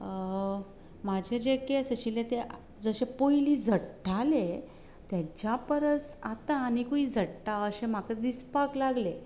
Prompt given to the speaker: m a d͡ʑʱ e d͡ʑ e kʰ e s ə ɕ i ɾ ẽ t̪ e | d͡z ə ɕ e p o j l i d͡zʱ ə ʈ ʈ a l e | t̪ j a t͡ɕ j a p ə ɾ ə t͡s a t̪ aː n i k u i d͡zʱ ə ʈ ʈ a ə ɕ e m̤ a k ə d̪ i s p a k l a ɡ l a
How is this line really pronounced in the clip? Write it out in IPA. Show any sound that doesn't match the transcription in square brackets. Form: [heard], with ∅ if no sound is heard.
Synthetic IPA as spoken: m a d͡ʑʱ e d͡ʑ e [k] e s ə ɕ i [l] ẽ t̪ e | d͡z ə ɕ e p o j l i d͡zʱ ə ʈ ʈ a l e | t̪ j a t͡ɕ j a p ə ɾ ə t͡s a t̪ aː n i k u i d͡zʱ ə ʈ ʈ a ə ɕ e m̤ a k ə d̪ i s p a k l a ɡ l [e]

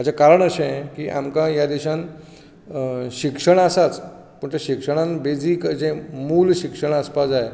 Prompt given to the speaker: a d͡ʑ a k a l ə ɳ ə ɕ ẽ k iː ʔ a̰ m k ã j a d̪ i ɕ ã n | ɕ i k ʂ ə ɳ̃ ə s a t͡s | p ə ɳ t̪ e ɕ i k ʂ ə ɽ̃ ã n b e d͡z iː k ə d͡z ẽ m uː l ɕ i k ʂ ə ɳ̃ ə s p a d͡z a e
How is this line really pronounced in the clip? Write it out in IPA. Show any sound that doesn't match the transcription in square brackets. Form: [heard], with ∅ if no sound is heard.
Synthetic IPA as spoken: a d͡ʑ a k a [ɾ] ə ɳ ə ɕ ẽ k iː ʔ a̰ m k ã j a d̪ i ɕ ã n | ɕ i k ʂ ə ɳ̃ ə s a t͡s | p ə ɳ t̪ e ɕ i k ʂ ə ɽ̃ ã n b e d͡z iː k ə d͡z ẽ m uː l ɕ i k ʂ ə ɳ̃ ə s p a d͡z a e

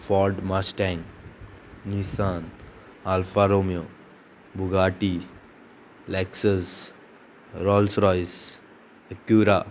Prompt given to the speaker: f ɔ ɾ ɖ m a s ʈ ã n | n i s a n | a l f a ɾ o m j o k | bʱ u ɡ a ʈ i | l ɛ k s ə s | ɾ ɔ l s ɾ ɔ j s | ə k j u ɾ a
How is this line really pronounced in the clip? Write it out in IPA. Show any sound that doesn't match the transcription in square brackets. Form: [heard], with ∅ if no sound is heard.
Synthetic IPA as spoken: f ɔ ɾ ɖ m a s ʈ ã n | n i s a n | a l f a ɾ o m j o [∅] | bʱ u ɡ a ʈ i | l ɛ k s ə s | ɾ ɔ l s ɾ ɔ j s | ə k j u ɾ a

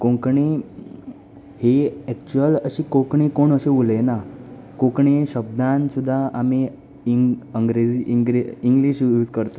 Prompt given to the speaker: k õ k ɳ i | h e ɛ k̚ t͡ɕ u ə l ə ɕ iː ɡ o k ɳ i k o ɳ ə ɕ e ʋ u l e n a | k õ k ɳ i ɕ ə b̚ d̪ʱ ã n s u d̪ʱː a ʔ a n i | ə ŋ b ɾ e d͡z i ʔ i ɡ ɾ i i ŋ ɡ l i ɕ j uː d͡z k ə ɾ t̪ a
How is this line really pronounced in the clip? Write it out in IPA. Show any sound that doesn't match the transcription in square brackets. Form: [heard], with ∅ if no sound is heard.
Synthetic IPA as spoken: k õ k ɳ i | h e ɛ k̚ t͡ɕ u ə l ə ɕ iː [k] o k ɳ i k o ɳ ə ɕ e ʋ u l e n a | k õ k ɳ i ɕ ə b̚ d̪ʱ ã n s u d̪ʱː a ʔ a [m] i | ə ŋ [ɡ] ɾ e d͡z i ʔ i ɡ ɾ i i ŋ ɡ l i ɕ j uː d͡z k ə ɾ t̪ a

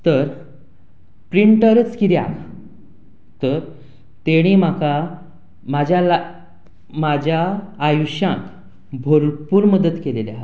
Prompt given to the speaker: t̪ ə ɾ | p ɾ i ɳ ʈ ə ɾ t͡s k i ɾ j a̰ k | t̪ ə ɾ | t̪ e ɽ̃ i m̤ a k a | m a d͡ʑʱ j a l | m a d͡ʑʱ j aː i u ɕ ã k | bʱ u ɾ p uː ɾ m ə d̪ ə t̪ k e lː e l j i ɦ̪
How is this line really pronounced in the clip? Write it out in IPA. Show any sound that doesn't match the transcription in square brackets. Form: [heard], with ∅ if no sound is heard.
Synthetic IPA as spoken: t̪ ə ɾ | p ɾ i ɳ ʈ ə ɾ t͡s k i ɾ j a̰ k | t̪ ə ɾ | t̪ e ɽ̃ i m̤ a k a | m a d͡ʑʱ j a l | m a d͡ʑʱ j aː [j] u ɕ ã k | bʱ [o] ɾ p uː ɾ m ə d̪ ə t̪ k e [l] e l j [a] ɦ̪

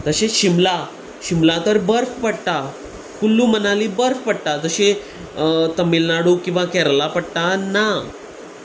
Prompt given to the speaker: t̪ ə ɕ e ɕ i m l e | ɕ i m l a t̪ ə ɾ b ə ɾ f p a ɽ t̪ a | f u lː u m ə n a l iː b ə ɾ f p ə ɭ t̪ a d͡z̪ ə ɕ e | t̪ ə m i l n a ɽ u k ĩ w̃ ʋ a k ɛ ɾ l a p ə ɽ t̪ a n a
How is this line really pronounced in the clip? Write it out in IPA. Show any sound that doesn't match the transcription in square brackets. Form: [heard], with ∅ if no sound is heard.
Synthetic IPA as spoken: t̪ ə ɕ e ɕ i m l [a] | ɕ i m l a t̪ ə ɾ b ə ɾ f p [ə] ɽ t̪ a | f u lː u m ə n a l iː b ə ɾ f p ə [ɽ] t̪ a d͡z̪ ə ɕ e | t̪ ə m i l n a ɽ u k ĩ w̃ ʋ a k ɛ ɾ l a p ə ɽ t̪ a n a

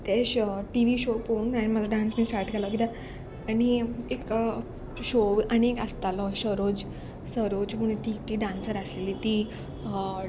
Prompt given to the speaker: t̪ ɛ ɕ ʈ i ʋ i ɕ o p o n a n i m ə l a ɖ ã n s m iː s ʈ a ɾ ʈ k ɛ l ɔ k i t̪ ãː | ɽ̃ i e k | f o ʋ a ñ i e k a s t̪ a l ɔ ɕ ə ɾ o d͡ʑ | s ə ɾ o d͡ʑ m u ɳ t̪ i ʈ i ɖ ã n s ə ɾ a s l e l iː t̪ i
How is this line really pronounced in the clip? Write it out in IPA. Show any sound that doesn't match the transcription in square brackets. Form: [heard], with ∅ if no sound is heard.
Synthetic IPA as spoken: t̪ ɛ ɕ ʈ i ʋ i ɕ o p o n a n i m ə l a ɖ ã n s m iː s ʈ a ɾ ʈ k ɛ l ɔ k i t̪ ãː | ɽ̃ i e k | [ɕ] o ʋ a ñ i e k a s t̪ a l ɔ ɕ ə ɾ o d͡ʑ | s ə ɾ o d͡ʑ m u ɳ t̪ i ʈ i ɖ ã n s ə ɾ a s l e l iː t̪ i

